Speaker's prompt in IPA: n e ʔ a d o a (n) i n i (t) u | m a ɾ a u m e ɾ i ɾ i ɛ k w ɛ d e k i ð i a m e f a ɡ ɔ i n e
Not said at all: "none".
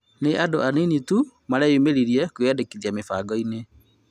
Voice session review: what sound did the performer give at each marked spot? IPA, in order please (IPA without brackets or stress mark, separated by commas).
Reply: n, t